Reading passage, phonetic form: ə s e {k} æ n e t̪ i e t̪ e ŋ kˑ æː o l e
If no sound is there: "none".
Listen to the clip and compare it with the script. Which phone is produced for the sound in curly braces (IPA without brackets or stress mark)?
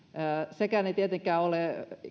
k